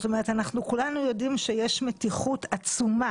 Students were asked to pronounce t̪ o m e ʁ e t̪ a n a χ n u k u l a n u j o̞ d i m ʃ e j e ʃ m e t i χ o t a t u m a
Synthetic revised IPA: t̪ o m e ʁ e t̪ a n a χ n u k u l a n u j o̞ d i m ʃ e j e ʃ m e t i χ u t a t͡s u m a